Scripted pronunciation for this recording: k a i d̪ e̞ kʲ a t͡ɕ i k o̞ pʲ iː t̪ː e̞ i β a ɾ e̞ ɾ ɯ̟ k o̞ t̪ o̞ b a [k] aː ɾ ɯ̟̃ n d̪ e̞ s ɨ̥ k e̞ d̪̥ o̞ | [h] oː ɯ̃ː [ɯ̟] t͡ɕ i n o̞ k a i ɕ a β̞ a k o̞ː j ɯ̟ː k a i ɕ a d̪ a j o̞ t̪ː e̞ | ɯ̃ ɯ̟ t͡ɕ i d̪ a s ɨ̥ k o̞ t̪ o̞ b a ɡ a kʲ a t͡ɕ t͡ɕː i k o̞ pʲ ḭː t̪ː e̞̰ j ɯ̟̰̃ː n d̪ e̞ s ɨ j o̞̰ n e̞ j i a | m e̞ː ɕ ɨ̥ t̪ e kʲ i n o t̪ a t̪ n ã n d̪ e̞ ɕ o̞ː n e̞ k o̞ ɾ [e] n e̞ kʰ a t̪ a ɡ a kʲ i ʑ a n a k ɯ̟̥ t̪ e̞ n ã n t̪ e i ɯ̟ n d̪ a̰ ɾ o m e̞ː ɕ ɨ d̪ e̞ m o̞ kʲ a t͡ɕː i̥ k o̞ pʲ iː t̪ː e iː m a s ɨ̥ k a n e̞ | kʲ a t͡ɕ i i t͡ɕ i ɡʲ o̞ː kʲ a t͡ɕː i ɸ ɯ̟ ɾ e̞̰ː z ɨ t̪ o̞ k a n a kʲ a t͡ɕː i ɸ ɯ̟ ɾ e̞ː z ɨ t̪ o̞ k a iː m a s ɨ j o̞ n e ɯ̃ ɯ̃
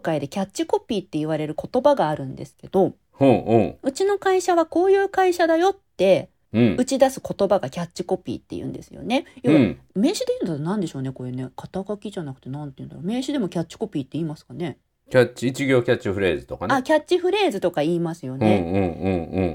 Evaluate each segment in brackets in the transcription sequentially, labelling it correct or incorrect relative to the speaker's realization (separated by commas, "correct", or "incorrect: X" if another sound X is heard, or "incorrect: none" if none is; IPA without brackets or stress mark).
incorrect: ɡ, correct, correct, correct